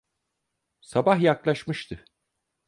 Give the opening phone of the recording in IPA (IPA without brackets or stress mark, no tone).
s